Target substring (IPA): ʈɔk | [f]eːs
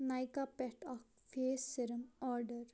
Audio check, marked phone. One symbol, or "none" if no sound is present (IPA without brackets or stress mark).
f